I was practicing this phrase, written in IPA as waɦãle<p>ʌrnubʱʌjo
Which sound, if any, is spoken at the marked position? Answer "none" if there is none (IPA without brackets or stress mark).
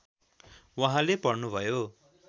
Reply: p